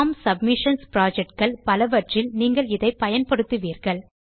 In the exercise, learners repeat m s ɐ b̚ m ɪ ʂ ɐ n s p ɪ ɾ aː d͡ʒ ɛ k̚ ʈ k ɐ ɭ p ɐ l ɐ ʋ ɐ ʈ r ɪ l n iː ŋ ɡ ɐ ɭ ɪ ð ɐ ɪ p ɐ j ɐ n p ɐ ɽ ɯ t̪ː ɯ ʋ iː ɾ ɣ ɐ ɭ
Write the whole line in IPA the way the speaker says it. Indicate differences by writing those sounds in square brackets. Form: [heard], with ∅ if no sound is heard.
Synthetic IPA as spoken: m s ɐ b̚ m ɪ ʂ ɐ n s p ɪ ɾ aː d͡ʒ ɛ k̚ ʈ k ɐ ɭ p ɐ l ɐ ʋ ɐ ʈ r ɪ l n iː ŋ ɡ ɐ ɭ ɪ ð ɐ ɪ p ɐ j ɐ n p ɐ ɽ ɯ t̪ː ɯ ʋ iː ɾ ɣ ɐ ɭ